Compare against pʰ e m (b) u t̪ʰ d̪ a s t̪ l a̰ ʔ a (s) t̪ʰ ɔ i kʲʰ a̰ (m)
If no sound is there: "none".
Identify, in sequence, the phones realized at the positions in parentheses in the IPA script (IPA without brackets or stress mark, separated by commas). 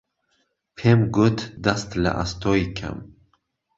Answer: ɡ, s, m